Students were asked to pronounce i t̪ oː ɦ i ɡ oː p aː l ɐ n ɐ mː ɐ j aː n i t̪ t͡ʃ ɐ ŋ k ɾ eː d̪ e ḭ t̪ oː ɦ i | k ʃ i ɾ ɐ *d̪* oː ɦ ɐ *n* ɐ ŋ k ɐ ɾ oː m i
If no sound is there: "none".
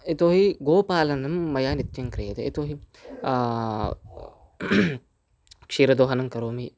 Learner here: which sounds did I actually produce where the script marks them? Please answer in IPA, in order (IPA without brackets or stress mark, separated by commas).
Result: d̪, n